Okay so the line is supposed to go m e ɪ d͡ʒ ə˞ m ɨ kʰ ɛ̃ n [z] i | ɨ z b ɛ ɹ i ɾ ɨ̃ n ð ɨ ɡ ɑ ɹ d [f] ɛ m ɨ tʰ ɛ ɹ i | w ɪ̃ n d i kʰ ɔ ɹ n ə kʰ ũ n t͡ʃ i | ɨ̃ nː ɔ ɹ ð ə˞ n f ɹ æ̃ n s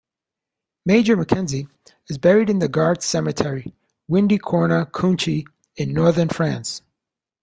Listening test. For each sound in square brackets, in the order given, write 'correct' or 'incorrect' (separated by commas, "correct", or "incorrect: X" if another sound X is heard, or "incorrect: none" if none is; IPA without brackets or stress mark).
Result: correct, incorrect: s